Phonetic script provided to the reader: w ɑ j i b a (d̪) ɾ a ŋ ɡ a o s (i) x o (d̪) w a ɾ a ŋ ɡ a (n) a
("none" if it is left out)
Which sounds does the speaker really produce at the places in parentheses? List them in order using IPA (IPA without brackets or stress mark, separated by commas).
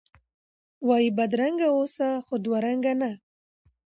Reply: d̪, a, d̪, n